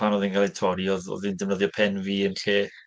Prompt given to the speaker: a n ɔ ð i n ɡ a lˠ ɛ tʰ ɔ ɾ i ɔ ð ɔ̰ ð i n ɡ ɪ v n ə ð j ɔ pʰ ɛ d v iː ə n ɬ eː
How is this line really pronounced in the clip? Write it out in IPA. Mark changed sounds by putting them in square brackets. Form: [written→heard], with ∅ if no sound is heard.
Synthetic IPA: a n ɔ ð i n ɡ a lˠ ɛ tʰ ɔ ɾ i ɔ ð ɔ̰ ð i n [ɡ→d] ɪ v n ə ð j ɔ pʰ ɛ [d→n] v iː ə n ɬ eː